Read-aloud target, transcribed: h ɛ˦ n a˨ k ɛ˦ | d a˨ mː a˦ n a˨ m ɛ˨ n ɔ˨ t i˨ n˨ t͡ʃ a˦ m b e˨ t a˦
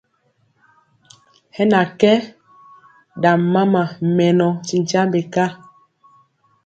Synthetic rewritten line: h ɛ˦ n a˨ k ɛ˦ | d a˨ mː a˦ m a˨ m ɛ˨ n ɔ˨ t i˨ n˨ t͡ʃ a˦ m b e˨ k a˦